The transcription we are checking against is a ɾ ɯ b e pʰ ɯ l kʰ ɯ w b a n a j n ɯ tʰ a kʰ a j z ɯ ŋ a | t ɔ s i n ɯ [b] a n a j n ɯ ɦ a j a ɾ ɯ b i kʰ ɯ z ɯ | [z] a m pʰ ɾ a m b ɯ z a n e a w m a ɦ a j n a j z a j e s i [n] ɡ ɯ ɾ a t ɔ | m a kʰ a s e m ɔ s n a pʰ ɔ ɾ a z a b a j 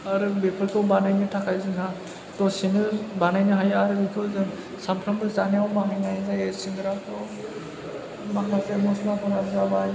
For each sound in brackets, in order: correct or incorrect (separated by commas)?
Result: correct, incorrect, incorrect